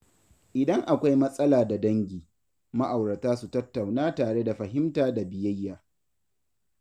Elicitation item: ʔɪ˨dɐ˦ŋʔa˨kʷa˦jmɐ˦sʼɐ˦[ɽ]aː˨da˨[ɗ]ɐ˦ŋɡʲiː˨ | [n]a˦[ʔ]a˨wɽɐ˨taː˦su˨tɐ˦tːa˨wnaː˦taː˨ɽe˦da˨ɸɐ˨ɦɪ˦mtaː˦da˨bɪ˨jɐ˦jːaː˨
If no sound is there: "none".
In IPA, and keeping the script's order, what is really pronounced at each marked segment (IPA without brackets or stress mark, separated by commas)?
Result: l, d, m, ʔ